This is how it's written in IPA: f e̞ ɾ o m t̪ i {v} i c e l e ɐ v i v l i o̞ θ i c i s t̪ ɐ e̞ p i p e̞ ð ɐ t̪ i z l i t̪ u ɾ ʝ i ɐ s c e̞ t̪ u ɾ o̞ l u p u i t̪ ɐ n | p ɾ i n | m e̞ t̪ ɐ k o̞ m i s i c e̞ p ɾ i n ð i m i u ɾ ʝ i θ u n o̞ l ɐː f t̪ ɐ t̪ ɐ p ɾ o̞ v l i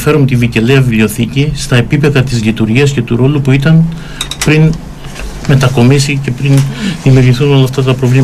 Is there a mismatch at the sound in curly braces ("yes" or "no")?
no